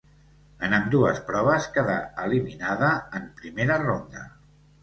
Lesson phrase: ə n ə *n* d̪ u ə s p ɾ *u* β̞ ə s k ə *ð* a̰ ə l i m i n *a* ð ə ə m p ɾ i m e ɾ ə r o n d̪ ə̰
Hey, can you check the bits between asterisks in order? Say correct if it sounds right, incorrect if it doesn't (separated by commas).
incorrect, incorrect, correct, correct